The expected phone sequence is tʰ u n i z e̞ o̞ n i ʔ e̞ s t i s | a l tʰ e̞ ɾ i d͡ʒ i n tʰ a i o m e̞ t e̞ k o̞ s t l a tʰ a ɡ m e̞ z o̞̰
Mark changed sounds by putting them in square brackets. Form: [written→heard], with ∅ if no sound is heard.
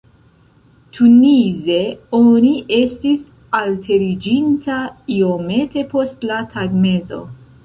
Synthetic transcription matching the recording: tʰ u n i z e̞ o̞ n i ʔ e̞ s t i s | a l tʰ e̞ ɾ i d͡ʒ i n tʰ a i o m e̞ t e̞ [k→p] o̞ s t l a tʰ a ɡ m e̞ z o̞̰